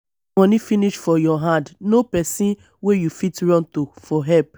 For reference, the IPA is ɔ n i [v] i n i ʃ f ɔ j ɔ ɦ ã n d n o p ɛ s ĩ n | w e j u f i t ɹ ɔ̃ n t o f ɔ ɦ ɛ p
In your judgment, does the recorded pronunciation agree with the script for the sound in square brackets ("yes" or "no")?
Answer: no